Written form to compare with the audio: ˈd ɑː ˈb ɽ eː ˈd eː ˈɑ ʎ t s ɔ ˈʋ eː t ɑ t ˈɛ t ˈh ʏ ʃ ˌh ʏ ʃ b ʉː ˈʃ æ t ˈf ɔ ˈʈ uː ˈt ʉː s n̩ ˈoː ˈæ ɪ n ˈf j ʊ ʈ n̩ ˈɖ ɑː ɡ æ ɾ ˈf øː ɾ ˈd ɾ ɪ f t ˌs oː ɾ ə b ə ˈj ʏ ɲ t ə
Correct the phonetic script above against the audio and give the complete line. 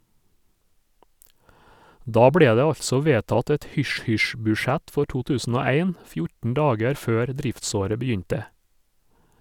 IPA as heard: ˈd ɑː ˈb ɽ eː ˈd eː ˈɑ ʎ t s ɔ ˈʋ eː t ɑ t ˈɛ t ˈh ʏ ʃ ˌh ʏ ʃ b ʉː ˈʃ æ t ˈf ɔ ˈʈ uː ˈt ʉː s n̩ ˈoː ˈæ ɪ n ˈf j ʊ ʈ n̩ ˈɖ ɑː ɡ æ ɾ ˈf øː ɾ ˈd ɾ ɪ f t ˌs oː ɾ ə b ə ˈj ʏ ɲ t ə